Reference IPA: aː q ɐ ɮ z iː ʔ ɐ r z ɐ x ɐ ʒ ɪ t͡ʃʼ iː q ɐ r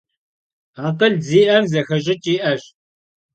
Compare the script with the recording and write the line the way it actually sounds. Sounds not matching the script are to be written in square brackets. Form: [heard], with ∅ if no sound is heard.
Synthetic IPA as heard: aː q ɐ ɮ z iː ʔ ɐ r z ɐ x ɐ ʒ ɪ t͡ʃʼ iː [ʔ] ɐ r